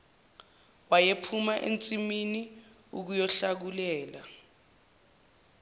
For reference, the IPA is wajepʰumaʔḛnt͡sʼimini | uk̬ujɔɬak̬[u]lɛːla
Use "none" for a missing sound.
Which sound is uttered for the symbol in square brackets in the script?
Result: u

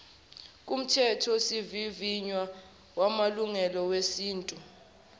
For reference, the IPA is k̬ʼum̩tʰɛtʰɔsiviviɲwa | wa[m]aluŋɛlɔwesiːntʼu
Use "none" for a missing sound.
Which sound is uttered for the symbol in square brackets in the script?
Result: m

